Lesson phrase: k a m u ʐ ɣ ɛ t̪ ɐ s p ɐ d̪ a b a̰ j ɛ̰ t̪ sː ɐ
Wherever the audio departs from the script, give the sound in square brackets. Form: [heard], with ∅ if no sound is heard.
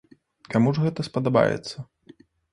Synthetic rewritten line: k a m u ʐ ɣ ɛ t̪ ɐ s p ɐ d̪ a b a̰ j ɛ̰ t̪ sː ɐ